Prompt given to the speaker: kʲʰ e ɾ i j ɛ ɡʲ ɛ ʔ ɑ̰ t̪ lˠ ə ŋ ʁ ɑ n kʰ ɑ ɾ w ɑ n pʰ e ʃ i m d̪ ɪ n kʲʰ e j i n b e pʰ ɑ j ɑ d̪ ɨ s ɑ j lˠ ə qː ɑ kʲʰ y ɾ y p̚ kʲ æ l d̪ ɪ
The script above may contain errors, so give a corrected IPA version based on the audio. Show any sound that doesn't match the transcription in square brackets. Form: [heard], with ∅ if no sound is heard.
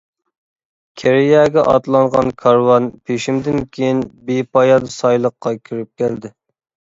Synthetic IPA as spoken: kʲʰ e ɾ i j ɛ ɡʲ ɛ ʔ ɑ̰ t̪ lˠ [ɑ] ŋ ʁ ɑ n kʰ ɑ ɾ w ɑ n pʰ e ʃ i m d̪ ɪ n kʲʰ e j i n b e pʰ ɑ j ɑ d̪ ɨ s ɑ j lˠ ə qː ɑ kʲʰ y ɾ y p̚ kʲ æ l d̪ ɪ